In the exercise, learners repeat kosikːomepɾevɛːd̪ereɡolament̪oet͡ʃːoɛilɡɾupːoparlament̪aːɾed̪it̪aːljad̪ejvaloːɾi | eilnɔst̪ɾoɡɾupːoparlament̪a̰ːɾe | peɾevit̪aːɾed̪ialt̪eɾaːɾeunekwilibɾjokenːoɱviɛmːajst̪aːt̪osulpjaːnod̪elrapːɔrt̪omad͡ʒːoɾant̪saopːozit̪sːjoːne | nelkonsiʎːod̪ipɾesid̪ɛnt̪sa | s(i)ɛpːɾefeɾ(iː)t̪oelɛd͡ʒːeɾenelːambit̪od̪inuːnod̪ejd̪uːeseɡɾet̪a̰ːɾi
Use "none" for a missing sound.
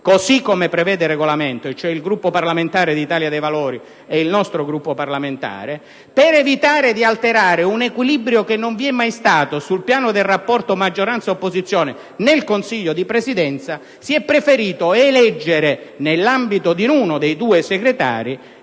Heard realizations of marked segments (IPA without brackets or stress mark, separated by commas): i, iː